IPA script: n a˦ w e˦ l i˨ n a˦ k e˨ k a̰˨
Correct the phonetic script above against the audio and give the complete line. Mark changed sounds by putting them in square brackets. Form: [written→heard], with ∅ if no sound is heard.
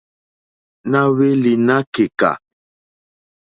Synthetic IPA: n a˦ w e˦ l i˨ n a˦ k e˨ k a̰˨